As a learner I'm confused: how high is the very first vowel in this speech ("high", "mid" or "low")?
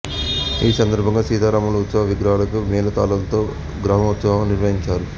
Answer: high